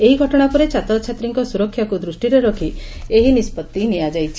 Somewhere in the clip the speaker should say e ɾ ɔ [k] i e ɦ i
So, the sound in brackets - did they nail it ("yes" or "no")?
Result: no